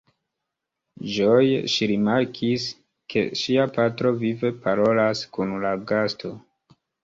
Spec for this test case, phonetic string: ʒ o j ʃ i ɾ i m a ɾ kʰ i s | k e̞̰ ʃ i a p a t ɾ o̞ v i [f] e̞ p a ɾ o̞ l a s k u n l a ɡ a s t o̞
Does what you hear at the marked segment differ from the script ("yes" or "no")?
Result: yes